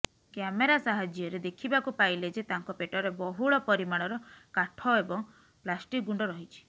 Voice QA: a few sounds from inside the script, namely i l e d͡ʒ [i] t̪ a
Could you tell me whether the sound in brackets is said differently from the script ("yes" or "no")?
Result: yes